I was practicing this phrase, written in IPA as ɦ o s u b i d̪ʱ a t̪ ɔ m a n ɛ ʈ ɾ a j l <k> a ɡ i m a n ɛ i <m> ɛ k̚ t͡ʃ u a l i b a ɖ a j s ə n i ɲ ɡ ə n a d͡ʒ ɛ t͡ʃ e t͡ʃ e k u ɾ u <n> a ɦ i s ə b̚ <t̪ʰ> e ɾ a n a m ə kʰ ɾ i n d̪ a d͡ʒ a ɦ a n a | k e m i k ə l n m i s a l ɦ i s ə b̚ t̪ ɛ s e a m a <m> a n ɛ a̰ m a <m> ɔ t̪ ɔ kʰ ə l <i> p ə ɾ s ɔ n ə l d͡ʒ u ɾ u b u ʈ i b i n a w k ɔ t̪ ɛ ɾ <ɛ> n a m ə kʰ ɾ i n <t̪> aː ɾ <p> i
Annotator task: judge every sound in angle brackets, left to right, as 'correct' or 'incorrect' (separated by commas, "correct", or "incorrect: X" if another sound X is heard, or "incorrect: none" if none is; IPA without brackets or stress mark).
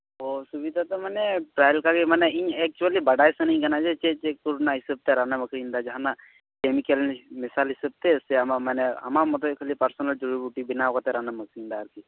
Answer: correct, incorrect: ɲ, correct, incorrect: t̪, correct, correct, correct, incorrect: a, incorrect: d̪, incorrect: k